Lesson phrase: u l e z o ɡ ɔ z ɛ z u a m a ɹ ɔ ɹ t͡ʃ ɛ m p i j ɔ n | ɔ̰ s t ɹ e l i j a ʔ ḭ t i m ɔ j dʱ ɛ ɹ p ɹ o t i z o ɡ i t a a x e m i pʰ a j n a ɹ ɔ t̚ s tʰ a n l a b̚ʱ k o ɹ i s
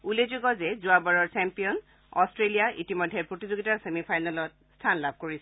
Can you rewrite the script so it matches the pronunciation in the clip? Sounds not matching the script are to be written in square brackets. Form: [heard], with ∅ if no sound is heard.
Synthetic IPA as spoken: u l e z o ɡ ɔ z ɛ z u a [b] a ɹ ɔ ɹ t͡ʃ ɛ m p i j ɔ n | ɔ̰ s t ɹ e l i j a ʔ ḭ t i m ɔ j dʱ ɛ ɹ p ɹ o t i z o ɡ i t a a [s] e m i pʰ a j n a [l] ɔ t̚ s tʰ a n l a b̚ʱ k o ɹ i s